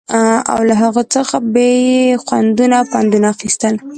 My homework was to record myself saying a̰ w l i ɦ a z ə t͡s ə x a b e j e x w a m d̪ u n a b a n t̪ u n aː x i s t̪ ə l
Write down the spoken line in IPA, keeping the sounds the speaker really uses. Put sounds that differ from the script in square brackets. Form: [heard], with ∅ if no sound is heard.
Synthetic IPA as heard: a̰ w l [a] ɦ a [ɣ] ə t͡s ə x a b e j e x w a [n] d̪ u n a [p] a n [d̪] u n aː x i s t̪ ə l